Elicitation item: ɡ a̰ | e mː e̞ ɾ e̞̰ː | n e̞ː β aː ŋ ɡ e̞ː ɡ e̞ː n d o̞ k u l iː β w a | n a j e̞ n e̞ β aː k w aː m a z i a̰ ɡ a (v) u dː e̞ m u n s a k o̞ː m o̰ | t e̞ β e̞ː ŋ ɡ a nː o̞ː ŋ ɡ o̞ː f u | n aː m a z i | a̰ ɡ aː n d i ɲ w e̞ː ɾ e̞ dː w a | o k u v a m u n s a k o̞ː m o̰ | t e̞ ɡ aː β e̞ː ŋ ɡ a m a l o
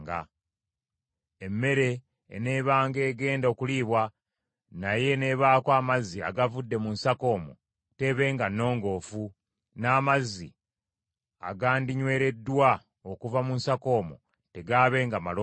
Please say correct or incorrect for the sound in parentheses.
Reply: correct